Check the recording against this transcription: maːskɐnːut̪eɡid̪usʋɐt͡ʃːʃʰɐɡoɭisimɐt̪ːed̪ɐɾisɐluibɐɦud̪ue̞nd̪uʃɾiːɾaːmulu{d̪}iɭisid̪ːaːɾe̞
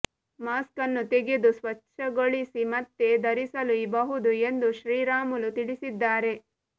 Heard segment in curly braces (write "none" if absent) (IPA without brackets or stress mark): t̪